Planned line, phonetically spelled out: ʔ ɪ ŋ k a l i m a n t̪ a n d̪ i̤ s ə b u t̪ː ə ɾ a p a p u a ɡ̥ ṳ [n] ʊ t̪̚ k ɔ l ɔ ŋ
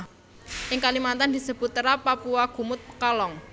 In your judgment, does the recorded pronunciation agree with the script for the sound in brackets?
no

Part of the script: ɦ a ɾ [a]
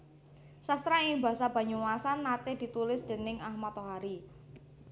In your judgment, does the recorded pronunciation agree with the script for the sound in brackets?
no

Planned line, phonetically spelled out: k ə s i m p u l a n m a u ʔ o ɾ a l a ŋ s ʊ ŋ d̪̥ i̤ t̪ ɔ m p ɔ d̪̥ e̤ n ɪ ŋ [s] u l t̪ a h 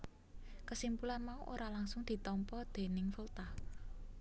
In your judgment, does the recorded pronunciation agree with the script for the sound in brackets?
no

